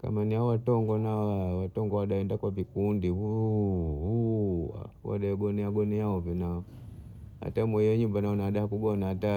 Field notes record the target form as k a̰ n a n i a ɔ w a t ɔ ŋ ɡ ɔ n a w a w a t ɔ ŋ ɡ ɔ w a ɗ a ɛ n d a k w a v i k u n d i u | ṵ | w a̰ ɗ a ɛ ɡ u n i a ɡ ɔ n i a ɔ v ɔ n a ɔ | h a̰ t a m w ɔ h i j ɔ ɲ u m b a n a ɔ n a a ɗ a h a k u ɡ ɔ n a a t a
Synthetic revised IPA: k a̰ m a n i a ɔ w a t ɔ ŋ ɡ ɔ n a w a w a t ɔ ŋ ɡ ɔ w a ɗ a ɛ n d a k w a v i k u n d i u | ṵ | w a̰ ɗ a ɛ ɡ ɔ n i a ɡ ɔ n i a ɔ v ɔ n a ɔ | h a̰ t a m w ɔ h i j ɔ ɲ u m b a n a ɔ n a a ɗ a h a k u ɡ ɔ n a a t a

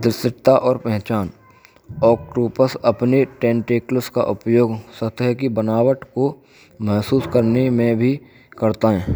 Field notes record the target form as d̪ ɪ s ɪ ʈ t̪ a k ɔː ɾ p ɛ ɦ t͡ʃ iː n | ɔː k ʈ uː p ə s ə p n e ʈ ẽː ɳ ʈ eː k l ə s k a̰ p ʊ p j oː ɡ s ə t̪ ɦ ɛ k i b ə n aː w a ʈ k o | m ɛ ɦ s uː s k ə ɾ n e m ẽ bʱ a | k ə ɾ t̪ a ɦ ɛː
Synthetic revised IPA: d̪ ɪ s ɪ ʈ t̪ a ʔ ɔː ɾ p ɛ ɦ t͡ʃ aː n | ɔː k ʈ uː p ə s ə p n e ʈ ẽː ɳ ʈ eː k l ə s k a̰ ʔ ʊ p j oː ɡ s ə t̪ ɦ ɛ k i b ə n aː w ə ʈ k o | m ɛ ɦ s uː s k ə ɾ n e m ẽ bʱ i | k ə ɾ t̪ a ɦ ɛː

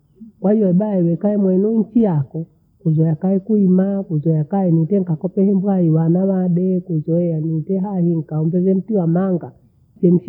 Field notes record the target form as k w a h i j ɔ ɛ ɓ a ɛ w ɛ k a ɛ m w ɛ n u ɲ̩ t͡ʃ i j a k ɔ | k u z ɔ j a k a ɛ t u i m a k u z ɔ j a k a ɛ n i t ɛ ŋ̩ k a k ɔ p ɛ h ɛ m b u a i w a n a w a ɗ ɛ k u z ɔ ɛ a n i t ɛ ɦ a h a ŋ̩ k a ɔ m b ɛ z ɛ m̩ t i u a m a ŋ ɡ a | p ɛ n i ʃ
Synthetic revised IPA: k w a h i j ɔ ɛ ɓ a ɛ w ɛ k a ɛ m w ɛ n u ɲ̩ t͡ʃ i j a k ɔ | k u z ɔ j a k a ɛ k u i m a k u z ɔ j a k a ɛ n i t ɛ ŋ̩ k a k ɔ p ɛ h ɛ m b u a i w a n a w a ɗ ɛ k u z ɔ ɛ a n i t ɛ ɦ a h i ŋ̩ k a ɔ m b ɛ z ɛ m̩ t i w a m a ŋ ɡ a | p ɛ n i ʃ

